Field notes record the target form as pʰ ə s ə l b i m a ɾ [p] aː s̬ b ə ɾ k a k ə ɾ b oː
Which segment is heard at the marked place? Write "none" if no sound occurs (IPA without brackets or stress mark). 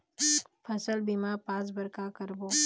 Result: p